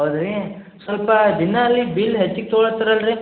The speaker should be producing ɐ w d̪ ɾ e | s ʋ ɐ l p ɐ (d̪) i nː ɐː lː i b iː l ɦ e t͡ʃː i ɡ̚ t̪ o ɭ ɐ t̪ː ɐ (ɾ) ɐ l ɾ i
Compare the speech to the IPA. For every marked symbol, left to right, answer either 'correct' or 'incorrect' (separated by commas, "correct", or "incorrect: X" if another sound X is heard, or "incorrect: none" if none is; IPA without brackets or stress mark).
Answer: correct, correct